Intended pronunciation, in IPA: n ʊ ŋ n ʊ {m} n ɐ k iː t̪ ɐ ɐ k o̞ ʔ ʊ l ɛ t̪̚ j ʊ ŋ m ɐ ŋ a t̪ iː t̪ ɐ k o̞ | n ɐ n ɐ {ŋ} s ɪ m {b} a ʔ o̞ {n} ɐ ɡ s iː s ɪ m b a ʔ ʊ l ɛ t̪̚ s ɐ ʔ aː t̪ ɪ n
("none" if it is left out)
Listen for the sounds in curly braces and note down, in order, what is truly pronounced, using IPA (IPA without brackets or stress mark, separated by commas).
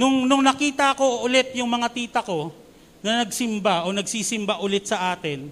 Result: ŋ, ɡ, b, n